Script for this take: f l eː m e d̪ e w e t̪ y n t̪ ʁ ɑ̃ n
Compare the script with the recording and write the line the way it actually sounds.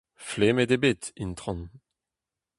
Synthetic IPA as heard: f l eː m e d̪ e b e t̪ i n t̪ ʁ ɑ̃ n